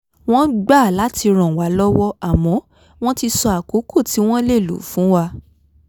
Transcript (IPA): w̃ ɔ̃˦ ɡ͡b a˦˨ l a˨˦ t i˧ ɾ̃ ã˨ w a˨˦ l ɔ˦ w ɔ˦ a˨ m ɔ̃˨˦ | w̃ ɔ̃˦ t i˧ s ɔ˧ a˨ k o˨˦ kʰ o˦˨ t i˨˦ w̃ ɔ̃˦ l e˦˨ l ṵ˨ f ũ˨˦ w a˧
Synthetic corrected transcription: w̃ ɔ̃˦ ɡ͡b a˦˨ l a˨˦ t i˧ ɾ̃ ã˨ w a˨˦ l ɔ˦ w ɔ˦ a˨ m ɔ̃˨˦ | w̃ ɔ̃˦ t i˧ s ɔ˧ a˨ k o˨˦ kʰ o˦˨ t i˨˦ w̃ ɔ̃˦ l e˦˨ l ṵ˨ f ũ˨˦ w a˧

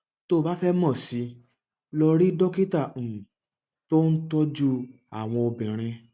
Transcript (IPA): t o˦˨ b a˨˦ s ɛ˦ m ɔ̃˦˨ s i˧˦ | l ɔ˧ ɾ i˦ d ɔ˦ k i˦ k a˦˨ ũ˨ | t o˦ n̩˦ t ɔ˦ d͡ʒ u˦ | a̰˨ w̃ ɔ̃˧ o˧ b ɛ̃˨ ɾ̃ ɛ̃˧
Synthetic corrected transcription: t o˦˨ b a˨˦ f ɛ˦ m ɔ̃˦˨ s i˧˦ | l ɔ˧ ɾ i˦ d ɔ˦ k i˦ t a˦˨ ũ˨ | t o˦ n̩˦ t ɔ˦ d͡ʒ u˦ | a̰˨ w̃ ɔ̃˧ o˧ b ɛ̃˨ ɾ̃ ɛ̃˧

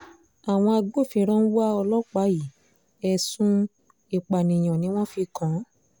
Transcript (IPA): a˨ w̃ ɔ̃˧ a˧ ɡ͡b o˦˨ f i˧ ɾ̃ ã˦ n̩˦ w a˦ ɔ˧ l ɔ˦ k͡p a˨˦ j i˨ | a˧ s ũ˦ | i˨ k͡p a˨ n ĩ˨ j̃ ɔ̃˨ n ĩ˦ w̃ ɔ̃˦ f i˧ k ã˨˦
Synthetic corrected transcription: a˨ w̃ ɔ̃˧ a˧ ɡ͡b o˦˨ f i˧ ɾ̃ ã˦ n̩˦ w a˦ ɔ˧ l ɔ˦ k͡p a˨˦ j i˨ | ɛ˧ s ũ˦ | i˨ k͡p a˨ n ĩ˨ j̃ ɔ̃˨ n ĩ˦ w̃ ɔ̃˦ f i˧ k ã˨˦

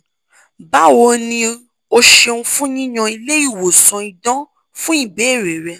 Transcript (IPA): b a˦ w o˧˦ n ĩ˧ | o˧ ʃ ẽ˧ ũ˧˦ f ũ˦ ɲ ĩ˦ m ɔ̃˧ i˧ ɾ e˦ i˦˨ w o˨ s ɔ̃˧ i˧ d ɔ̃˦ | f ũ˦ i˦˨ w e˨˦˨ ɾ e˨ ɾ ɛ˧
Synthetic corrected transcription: b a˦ w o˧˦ n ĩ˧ | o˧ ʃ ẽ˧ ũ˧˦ f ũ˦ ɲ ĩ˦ ɲ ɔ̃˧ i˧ l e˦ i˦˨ w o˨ s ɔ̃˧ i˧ d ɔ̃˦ | f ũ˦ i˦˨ b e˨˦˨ ɾ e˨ ɾ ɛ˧

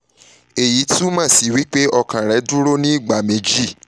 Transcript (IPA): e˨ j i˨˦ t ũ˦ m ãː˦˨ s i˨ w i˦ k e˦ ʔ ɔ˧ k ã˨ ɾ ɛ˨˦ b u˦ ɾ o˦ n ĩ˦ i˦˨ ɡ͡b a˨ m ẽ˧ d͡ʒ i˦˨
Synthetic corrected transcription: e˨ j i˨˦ t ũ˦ m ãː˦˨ s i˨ w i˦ k͡p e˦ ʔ ɔ˧ k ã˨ ɾ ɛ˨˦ d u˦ ɾ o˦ n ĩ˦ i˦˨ ɡ͡b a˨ m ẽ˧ d͡ʒ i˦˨

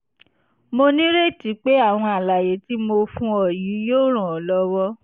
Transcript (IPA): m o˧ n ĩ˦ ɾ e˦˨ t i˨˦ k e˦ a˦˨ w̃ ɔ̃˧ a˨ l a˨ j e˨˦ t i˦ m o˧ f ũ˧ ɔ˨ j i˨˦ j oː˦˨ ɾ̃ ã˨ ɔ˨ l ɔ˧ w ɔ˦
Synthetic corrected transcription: m o˧ n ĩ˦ ɾ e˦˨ t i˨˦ k͡p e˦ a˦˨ w̃ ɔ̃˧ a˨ l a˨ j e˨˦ t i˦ m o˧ f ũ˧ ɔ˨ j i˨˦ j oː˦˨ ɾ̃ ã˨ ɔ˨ l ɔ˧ w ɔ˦

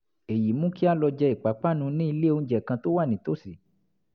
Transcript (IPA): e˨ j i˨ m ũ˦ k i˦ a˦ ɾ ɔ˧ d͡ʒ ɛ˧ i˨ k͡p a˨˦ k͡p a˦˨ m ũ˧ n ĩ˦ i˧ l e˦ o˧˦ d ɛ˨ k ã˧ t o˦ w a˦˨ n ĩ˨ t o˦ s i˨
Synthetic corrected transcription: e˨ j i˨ m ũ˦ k i˦ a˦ l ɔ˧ d͡ʒ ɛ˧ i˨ k͡p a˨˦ k͡p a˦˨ n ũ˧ n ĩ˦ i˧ l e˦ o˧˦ d͡ʒ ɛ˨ k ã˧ t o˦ w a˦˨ n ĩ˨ t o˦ s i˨

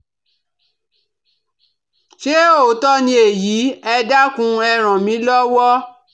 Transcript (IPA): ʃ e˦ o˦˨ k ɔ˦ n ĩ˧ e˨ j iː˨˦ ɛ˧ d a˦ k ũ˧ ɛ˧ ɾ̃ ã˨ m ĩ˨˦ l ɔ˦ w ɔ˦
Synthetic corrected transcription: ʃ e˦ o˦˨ t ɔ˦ n ĩ˧ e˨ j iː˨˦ ɛ˧ d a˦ k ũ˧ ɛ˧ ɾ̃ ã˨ m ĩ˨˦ l ɔ˦ w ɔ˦

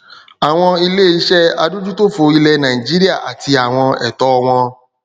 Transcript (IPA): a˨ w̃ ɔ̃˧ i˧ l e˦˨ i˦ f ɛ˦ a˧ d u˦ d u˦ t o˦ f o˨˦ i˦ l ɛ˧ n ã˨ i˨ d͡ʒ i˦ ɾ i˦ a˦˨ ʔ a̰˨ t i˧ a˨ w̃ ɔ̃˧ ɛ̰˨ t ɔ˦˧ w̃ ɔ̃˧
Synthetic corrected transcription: a˨ w̃ ɔ̃˧ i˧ l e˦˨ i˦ ʃ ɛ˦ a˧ d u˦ d͡ʒ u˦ t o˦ f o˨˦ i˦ l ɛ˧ n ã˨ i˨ d͡ʒ i˦ ɾ i˦ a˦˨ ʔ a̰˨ t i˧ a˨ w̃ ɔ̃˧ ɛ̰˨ t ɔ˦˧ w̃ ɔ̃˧

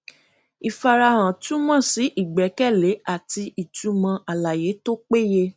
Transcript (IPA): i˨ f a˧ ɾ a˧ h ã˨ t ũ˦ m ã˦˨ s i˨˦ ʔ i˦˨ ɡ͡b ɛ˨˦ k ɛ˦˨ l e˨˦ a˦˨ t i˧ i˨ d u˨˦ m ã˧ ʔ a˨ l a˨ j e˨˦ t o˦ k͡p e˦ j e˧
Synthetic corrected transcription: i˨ f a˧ ɾ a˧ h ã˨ t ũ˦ m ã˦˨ s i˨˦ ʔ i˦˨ ɡ͡b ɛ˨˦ k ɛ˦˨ l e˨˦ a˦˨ t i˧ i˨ t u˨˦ m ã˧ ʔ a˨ l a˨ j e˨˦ t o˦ k͡p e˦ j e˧

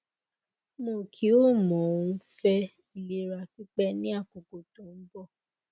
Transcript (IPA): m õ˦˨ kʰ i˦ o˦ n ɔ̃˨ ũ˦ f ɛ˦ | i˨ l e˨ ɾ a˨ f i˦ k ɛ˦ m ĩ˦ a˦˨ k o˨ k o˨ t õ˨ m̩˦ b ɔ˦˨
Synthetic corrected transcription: m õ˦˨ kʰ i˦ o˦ m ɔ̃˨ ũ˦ f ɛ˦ | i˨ l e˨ ɾ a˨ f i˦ k͡p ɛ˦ n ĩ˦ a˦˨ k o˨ k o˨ t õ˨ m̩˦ b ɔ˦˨

